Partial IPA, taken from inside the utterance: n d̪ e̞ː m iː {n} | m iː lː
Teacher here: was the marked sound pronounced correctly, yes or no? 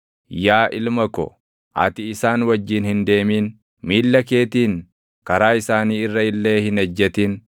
yes